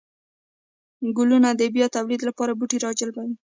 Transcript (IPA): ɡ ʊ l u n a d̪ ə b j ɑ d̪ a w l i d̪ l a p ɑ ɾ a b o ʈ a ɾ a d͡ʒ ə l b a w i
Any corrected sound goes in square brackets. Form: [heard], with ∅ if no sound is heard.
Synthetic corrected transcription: ɡ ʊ l u n a d̪ ə b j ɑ [t̪] a w l i d̪ l a p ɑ ɾ a b [u] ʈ [i] ɾ [ɑ] d͡ʒ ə l b a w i